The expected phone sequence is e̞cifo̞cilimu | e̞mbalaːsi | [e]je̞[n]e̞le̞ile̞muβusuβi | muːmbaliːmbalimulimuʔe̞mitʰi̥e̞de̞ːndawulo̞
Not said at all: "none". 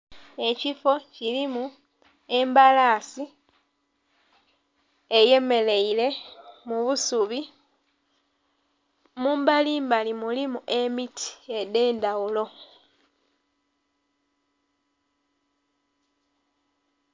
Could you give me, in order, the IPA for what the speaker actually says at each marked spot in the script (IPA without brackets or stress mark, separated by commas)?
e, m